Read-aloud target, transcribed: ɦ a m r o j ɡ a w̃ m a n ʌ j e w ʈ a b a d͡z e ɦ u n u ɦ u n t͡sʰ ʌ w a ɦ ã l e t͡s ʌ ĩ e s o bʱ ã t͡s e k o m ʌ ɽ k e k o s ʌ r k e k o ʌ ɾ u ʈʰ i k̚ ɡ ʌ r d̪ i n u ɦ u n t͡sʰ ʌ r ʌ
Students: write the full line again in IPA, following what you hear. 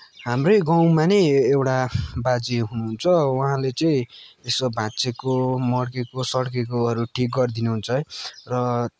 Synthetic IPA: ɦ a m r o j ɡ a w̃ m a n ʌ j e w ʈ a b a d͡z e ɦ u n u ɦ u n t͡sʰ ʌ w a ɦ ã l e t͡s ʌ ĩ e s o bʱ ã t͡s e k o m ʌ ɽ k e k o s ʌ ɽ k e k o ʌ ɾ u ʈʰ i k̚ ɡ ʌ r d̪ i n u ɦ u n t͡sʰ ʌ r ʌ

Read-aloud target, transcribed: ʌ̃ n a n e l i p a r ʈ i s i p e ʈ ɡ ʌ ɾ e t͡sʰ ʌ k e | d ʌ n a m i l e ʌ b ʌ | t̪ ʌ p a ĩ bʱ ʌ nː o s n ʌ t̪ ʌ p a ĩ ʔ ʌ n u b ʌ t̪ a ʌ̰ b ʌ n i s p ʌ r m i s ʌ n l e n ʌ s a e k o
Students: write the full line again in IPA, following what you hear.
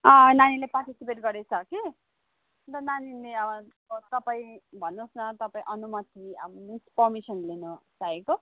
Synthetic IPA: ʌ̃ n a n i l e p a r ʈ i s i p e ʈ ɡ ʌ ɾ e t͡sʰ ʌ k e | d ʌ n a n i l e ʌ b ʌ | t̪ ʌ p a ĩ bʱ ʌ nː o s n ʌ t̪ ʌ p a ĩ ʔ ʌ n u m ʌ t̪ i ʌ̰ b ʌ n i s p ʌ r m i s ʌ n l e n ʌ s a e k o

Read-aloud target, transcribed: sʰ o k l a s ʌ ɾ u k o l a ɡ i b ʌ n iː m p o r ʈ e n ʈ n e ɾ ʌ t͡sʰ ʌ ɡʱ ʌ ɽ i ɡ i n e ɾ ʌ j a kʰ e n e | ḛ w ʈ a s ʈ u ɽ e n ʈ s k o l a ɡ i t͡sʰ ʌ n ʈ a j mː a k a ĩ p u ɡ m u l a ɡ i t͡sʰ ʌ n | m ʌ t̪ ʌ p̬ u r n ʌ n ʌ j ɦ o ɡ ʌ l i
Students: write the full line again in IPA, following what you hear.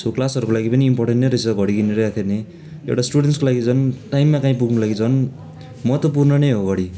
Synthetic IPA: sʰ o k l a s ʌ ɾ u k o l a ɡ i p ʌ n iː m p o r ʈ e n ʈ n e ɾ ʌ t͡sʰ ʌ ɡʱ ʌ ɽ i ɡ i n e ɾ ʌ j a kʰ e n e | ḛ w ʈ a s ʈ u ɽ e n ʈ s k o l a ɡ i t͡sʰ ʌ n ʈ a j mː a k a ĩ p u ɡ n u l a ɡ i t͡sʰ ʌ n | m ʌ t̪ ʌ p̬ u r n ʌ n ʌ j ɦ o ɡ ʌ ɽ i

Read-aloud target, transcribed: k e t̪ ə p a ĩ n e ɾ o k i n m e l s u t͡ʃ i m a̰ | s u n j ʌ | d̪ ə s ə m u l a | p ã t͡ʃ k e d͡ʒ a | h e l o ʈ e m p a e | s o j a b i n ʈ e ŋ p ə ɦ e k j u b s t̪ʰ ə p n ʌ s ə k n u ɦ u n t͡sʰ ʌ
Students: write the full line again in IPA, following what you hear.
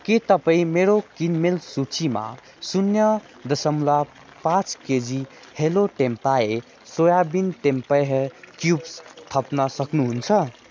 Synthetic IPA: k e t̪ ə p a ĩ m e ɾ o k i n m e l s u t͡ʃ i m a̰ | s u n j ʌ | d̪ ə s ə m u l a | p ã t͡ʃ k e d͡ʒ i | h e l o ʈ e m p a e | s o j a b i n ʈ e m p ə ɦ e k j u b s t̪ʰ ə p n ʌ s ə k n u ɦ u n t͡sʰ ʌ

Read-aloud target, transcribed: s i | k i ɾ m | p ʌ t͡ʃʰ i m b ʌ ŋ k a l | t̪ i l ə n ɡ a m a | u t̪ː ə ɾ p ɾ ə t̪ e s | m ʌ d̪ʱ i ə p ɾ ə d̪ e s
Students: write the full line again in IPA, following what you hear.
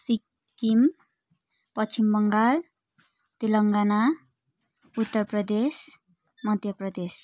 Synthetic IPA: s i | k i m | p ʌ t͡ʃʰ i m b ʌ ŋ ɡ a l | t̪ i l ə ŋ ɡ a n a | u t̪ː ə ɾ p ɾ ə d̪ e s | m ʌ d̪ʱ j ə p ɾ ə d̪ e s

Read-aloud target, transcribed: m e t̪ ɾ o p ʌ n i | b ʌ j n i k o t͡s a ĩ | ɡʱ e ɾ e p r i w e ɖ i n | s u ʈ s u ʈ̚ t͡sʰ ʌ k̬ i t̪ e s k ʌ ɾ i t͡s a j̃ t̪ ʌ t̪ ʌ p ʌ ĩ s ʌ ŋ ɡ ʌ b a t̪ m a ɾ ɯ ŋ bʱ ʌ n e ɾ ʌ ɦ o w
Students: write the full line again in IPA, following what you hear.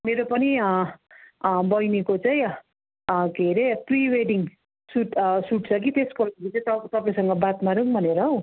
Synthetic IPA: m e ɾ o p ʌ n i | b ʌ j n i k o t͡s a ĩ | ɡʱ e ɾ e p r i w e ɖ i ŋ | s u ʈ s u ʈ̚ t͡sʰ ʌ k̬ i t̪ e s k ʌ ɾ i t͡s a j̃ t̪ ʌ t̪ ʌ p a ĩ s ʌ ŋ ɡ ʌ b a t̪ m a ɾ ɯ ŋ bʱ ʌ n e ɾ ʌ ɦ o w

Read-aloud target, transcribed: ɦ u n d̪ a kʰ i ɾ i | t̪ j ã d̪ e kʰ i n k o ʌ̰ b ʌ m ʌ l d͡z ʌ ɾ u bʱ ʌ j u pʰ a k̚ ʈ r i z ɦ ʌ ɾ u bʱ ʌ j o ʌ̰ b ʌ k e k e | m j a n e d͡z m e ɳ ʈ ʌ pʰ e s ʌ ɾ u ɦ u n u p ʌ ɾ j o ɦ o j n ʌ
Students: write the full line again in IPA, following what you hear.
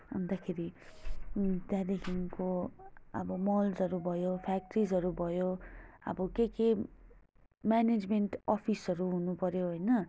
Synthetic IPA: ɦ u n d̪ a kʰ e ɾ i | t̪ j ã d̪ e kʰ i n k o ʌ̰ b ʌ m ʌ l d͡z ʌ ɾ u bʱ ʌ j o pʰ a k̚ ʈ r i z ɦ ʌ ɾ u bʱ ʌ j o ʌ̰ b ʌ k e k e | m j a n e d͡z m e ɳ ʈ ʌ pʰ i s ʌ ɾ u ɦ u n u p ʌ ɾ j o ɦ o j n ʌ

